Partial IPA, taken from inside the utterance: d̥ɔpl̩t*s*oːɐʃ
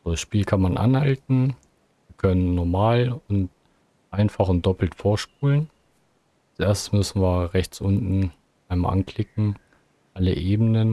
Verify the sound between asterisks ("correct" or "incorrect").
incorrect